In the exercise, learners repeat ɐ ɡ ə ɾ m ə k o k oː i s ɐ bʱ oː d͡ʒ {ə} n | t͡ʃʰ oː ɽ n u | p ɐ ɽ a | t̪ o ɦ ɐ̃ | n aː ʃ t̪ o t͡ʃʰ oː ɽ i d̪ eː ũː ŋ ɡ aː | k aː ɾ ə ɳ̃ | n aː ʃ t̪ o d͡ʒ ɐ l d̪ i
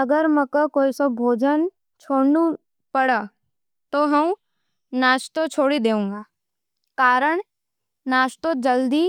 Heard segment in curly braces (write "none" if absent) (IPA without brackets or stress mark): ə